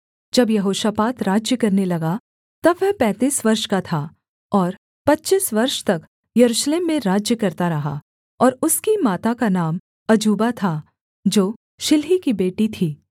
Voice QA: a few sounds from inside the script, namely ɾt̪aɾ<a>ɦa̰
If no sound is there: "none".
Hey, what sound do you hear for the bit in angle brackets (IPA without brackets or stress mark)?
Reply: ɐ